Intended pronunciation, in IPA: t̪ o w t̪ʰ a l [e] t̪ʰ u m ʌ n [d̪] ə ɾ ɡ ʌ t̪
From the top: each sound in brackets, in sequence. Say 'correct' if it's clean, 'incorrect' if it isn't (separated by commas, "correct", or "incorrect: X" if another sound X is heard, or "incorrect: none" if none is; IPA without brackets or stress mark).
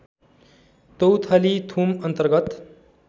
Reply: incorrect: i, incorrect: t̪